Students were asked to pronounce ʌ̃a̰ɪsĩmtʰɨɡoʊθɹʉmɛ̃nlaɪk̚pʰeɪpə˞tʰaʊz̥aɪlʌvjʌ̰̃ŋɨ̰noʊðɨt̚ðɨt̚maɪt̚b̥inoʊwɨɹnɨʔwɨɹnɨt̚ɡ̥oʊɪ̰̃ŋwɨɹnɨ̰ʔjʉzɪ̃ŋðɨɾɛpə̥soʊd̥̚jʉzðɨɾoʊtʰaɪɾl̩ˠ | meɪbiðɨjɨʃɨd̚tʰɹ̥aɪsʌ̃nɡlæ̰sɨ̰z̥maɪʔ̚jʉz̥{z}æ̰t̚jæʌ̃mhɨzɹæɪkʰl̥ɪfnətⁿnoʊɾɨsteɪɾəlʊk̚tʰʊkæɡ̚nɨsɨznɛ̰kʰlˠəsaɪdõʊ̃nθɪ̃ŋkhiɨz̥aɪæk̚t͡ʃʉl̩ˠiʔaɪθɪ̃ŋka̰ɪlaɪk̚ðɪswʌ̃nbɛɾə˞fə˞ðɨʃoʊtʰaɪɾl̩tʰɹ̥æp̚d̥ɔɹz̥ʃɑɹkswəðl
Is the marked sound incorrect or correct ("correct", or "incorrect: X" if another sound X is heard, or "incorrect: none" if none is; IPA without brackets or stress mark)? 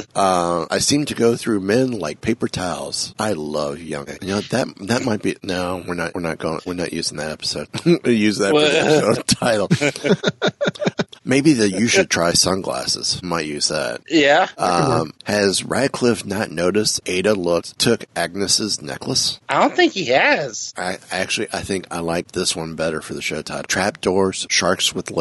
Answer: incorrect: ð